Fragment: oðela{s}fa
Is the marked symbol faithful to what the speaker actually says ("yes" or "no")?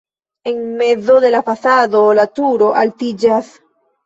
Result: no